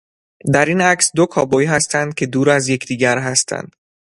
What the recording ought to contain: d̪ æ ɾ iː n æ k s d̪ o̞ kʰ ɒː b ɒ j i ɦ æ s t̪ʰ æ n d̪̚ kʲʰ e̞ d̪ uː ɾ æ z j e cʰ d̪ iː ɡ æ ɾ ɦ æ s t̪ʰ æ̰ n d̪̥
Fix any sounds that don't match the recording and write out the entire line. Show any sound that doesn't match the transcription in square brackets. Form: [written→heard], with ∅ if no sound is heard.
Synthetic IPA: d̪ æ ɾ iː n æ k s d̪ o̞ kʰ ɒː b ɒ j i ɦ æ s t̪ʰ æ n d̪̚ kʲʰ e̞ d̪ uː ɾ æ z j e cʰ d̪ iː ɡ æ ɾ ɦ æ s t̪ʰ æ̰ n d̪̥